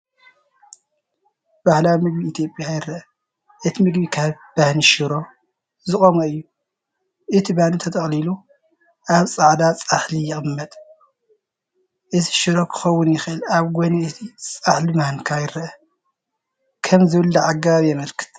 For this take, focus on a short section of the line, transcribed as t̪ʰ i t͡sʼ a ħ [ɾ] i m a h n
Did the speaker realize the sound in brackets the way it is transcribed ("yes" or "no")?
no